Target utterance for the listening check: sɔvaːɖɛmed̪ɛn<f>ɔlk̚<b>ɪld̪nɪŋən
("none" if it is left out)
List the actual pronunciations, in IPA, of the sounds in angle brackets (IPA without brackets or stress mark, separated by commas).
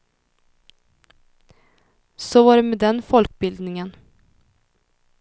f, b